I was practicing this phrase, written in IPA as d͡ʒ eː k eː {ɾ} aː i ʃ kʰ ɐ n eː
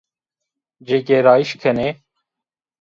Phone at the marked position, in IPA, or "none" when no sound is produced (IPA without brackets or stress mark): ɾ